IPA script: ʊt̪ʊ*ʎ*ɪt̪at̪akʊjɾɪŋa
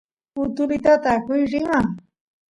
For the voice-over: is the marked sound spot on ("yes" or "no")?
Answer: no